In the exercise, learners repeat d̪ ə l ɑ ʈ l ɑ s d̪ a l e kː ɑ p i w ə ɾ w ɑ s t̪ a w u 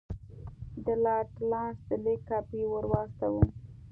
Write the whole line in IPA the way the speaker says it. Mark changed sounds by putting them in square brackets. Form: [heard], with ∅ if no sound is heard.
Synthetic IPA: d̪ ə l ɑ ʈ l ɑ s d̪ [ə] l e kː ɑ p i w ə ɾ w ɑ s t̪ a w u

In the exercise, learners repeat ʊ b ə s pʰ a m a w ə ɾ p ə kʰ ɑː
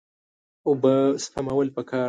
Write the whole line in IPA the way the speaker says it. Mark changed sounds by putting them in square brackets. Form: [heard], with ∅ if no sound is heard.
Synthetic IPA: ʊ b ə s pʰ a m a w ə [l] p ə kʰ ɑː

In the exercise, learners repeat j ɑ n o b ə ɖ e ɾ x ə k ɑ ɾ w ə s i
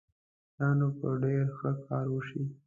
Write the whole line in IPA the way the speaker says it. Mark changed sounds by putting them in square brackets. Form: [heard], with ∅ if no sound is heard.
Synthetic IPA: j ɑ n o [p] ə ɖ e ɾ x ə k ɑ ɾ w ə [ʃ] i

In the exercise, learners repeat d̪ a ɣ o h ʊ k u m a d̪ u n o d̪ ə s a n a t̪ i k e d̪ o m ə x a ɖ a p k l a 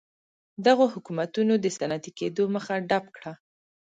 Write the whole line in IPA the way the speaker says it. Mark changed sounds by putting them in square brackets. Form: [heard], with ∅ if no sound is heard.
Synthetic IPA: d̪ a ɣ o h ʊ k u m a [t̪] u n o d̪ ə s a n a t̪ i k e d̪ o m ə x a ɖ a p k [ɽ] a

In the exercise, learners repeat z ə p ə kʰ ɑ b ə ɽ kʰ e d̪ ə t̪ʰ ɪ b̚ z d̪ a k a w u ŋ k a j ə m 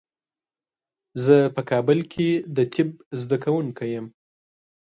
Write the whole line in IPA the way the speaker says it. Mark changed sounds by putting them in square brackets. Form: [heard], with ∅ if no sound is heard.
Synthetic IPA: z ə p ə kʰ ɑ b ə [l] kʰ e d̪ ə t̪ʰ ɪ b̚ z d̪ a k a w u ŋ k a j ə m

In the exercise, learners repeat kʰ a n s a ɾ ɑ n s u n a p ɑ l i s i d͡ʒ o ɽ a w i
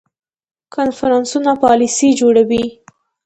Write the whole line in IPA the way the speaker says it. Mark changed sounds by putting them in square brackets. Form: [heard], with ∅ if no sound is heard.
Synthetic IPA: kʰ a n [f] a ɾ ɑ n s u n a p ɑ l i s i d͡ʒ o ɽ a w i

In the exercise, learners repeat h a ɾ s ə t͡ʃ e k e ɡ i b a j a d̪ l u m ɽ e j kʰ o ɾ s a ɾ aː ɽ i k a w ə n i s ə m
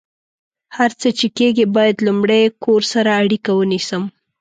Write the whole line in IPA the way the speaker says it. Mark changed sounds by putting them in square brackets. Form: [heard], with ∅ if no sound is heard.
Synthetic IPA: h a ɾ [t͡s] ə t͡ʃ e k e ɡ i b [ɑ] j a d̪ l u m ɽ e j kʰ o ɾ s a ɾ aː ɽ i k a w ə n i s ə m

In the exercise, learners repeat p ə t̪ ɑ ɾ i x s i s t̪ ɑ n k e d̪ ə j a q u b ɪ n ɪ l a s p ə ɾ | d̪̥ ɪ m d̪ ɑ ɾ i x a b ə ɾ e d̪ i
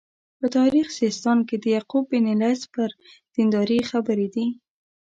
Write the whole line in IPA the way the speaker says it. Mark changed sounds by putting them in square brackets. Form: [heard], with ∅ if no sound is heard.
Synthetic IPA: p ə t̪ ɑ ɾ i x s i s t̪ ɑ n k e d̪ ə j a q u b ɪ n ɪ l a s p ə ɾ | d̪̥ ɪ [n] d̪ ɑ ɾ i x a b ə ɾ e d̪ i

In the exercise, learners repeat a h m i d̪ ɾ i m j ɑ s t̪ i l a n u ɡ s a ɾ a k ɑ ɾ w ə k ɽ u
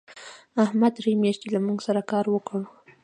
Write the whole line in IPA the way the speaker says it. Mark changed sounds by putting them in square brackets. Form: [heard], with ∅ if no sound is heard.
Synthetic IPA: a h m [a] d̪ ɾ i m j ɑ [ʃ] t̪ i l a [m] u ɡ s a ɾ a k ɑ ɾ w ə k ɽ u

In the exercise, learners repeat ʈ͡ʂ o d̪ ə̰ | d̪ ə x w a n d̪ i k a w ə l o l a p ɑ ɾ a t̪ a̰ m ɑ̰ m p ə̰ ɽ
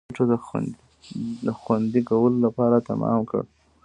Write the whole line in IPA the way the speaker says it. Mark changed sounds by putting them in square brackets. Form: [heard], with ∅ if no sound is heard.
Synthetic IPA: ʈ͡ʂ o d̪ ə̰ | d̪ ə x w a n d̪ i k a w ə l o l a p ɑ ɾ a t̪ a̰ m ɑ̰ m [k] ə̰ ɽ

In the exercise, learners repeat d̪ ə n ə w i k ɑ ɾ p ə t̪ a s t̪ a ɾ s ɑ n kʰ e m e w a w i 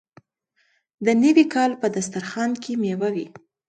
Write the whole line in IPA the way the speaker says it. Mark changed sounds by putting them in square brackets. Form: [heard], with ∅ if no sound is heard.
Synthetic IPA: d̪ ə n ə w i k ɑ [l] p ə [d̪] a s t̪ a ɾ [x] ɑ n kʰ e m e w a w i

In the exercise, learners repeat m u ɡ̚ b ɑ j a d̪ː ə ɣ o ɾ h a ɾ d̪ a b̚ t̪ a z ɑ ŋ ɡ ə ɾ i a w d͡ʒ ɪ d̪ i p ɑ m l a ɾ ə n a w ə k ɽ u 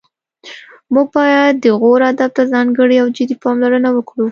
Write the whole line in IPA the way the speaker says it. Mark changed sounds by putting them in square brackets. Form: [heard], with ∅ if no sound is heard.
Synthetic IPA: m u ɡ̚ b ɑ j a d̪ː ə ɣ o ɾ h a [∅] d̪ a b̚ t̪ a z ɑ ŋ ɡ ə [ɽ] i a w d͡ʒ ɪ d̪ i p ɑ m l a ɾ ə n a w ə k ɽ u

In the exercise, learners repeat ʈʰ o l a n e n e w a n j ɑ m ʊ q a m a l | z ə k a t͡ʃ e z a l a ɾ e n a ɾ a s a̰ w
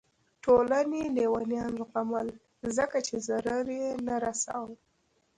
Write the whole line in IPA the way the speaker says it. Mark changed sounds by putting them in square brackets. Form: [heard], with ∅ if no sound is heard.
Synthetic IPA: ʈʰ o l a n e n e w a n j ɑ [n] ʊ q a m a l | z ə k a t͡ʃ e z a [ɾ] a ɾ e n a ɾ a s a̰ w

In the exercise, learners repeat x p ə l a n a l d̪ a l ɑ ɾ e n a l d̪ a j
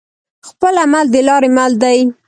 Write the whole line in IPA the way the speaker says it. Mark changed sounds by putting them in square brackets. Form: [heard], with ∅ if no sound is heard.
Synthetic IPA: x p ə l a [m] a l d̪ [ə] l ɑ ɾ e [m] a l d̪ a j

